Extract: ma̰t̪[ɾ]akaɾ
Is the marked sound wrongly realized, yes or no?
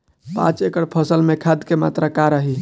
no